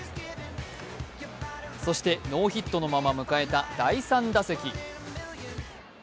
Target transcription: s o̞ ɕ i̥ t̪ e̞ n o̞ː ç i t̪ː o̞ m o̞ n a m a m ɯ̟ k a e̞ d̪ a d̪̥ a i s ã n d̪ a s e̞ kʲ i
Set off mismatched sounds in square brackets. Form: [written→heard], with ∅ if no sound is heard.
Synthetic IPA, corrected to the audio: s o̞ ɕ i̥ t̪ e̞ n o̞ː ç i t̪ː o̞ [m→n] o̞ [n→m] a m a m ɯ̟ k a e̞ [d̪→t̪] a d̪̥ a i s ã n d̪ a s e̞ kʲ i